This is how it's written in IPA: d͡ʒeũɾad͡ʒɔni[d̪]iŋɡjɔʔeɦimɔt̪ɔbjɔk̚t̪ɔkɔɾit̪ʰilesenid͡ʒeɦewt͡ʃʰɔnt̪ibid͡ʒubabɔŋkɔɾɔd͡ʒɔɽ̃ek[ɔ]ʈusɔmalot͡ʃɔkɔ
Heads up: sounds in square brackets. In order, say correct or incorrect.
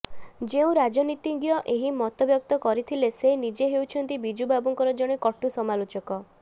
incorrect: t̪, correct

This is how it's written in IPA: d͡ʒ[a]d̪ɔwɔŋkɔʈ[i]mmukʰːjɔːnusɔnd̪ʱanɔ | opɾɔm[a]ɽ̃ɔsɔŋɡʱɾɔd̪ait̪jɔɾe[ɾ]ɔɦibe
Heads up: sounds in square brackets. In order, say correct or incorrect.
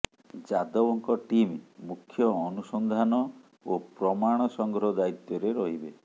correct, correct, correct, correct

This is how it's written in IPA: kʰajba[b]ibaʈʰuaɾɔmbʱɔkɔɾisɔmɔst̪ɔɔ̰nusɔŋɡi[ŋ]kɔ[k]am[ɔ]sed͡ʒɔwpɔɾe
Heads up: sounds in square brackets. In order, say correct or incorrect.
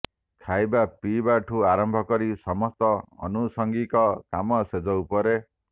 incorrect: p, incorrect: none, correct, correct

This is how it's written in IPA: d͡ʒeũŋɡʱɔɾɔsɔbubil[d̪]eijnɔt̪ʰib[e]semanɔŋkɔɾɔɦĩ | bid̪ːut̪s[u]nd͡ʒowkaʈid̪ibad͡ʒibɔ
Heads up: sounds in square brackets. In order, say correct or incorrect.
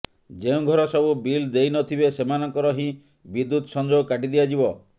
correct, correct, incorrect: ɔ

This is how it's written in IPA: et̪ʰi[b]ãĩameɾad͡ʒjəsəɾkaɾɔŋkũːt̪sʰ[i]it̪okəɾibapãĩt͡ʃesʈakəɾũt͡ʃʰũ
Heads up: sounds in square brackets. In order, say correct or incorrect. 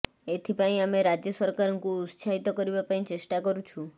incorrect: p, incorrect: a

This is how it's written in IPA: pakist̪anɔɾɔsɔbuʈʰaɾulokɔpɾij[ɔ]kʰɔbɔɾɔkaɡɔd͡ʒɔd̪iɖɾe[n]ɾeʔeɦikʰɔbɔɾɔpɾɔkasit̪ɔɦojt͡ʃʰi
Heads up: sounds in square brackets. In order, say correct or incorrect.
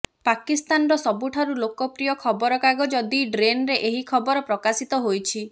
correct, correct

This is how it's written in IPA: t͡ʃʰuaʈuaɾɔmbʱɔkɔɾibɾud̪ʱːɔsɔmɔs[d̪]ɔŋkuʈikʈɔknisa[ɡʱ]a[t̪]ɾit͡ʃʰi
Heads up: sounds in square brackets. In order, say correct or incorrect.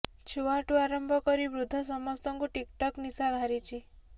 incorrect: t̪, correct, incorrect: none

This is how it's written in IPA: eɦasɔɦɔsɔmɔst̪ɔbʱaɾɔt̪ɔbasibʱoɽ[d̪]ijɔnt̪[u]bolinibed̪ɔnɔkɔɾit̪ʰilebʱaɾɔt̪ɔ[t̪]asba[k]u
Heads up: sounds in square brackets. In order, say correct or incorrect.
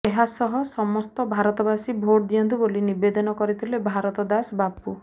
correct, correct, incorrect: d̪, incorrect: p

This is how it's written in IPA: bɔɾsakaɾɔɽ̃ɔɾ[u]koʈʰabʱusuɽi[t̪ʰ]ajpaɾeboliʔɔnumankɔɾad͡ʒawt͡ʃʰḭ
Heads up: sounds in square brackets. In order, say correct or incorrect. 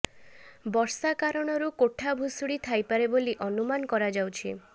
correct, correct

